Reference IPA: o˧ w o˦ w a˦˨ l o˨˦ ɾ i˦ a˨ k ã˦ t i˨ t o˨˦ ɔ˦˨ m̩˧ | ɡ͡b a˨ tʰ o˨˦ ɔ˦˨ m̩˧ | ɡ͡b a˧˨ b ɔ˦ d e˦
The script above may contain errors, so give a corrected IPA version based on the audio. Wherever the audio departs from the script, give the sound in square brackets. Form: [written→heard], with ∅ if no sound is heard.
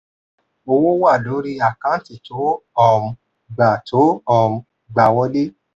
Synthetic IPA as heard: o˧ w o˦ w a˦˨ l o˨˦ ɾ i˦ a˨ k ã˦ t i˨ t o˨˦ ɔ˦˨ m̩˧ | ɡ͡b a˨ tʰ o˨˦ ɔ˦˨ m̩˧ | ɡ͡b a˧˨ [b→w] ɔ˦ d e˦